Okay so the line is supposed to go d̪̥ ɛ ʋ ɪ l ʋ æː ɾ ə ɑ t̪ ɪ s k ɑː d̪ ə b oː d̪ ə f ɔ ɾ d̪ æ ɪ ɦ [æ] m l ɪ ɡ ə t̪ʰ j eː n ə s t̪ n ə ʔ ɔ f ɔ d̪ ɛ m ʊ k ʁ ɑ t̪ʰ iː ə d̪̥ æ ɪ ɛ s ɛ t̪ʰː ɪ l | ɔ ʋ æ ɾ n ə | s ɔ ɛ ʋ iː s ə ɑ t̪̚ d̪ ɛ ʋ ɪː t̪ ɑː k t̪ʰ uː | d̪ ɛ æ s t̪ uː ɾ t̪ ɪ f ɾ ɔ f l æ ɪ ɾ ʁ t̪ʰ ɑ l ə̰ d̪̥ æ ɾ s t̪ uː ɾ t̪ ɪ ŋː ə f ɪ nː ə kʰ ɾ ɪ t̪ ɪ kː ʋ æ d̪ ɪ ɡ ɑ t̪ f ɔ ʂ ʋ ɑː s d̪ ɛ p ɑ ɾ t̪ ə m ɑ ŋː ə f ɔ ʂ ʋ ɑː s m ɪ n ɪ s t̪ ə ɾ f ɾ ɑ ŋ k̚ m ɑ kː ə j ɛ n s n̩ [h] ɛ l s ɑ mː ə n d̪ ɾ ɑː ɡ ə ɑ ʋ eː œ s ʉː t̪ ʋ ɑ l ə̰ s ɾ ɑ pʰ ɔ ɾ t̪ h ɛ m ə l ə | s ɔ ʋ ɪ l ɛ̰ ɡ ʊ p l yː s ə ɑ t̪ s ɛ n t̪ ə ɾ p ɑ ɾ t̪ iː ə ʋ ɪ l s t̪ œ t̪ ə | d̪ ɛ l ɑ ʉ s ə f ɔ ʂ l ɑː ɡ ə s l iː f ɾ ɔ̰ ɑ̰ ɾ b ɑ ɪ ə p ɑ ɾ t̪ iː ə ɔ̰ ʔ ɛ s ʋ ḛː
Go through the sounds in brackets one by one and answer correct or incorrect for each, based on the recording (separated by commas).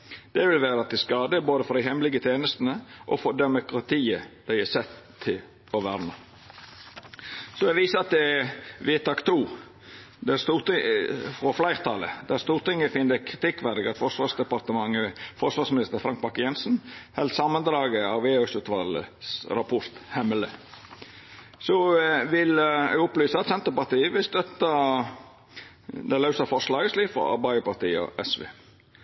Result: incorrect, correct